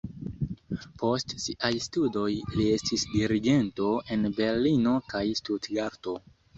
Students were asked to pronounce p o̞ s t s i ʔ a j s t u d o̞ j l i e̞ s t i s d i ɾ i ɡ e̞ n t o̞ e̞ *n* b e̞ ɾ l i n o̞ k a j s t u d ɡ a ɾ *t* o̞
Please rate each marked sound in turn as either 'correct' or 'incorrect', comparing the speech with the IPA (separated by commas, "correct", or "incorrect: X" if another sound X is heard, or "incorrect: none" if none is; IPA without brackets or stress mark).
correct, correct